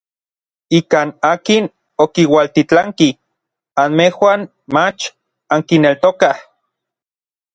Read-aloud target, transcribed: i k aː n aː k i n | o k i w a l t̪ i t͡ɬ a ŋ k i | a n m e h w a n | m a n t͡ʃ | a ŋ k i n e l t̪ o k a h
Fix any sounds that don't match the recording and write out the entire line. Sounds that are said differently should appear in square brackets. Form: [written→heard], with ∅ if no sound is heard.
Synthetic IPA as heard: i k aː n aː k i n | o k i w a l t̪ i t͡ɬ a ŋ k i | a n m e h w a n | m a [n→∅] t͡ʃ | a ŋ k i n e l t̪ o k a h